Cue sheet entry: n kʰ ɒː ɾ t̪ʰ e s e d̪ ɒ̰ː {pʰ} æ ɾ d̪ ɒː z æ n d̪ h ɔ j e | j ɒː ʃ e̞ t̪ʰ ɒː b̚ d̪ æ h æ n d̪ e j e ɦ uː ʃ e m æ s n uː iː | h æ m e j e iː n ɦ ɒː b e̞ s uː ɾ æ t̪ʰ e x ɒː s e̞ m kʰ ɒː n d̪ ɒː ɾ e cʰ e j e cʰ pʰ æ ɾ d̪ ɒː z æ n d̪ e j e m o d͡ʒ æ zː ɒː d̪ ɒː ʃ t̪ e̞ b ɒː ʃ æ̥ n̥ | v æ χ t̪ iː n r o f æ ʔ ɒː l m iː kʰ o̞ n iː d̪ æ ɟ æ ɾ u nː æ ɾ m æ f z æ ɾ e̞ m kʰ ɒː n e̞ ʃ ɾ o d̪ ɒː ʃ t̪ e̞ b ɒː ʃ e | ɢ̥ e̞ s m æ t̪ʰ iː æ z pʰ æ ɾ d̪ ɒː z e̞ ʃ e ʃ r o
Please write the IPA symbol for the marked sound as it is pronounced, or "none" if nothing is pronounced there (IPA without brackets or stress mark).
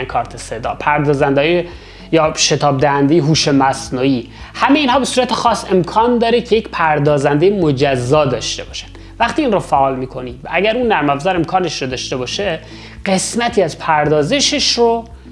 pʰ